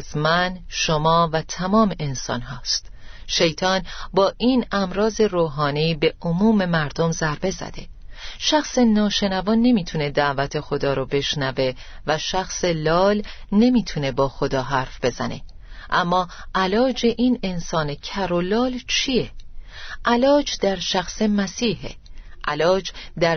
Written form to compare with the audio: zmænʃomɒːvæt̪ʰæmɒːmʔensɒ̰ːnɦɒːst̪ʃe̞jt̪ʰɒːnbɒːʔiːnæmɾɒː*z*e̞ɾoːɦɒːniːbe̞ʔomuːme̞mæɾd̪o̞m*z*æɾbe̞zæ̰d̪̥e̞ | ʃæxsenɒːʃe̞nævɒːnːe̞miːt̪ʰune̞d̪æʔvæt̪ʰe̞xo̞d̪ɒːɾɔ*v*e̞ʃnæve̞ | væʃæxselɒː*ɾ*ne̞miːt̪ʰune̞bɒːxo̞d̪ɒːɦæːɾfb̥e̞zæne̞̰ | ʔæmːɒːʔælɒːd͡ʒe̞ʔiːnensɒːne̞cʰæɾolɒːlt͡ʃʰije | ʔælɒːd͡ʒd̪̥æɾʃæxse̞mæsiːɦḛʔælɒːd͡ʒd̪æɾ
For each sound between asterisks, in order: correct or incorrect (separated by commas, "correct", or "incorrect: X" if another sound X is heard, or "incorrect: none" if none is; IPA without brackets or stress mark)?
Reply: correct, correct, incorrect: b, incorrect: l